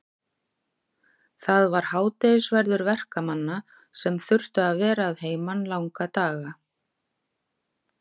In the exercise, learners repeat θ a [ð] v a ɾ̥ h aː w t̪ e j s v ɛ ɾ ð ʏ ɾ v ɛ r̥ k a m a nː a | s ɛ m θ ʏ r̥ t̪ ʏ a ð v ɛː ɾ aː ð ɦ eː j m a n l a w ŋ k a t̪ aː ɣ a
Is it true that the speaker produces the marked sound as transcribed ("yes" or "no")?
yes